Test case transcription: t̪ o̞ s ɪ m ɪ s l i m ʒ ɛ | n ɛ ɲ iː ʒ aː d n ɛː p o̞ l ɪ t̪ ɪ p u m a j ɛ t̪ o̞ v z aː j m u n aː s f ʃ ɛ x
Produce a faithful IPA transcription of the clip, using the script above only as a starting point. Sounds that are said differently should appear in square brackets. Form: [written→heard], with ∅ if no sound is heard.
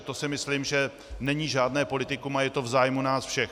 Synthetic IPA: t̪ o̞ s ɪ m ɪ s l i m ʒ ɛ | n ɛ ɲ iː ʒ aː d n ɛː p o̞ l ɪ t̪ ɪ [p→k] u m a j ɛ t̪ o̞ v z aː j m u n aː s f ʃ ɛ x